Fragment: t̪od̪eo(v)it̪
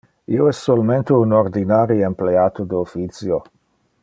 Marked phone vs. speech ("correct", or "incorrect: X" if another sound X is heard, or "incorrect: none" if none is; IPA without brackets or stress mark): incorrect: f